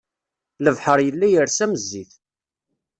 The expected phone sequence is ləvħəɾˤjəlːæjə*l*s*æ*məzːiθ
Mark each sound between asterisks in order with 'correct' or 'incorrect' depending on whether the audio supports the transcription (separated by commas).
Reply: incorrect, correct